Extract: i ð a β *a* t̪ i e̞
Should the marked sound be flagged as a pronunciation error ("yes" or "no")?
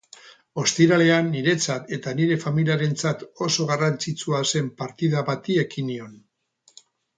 no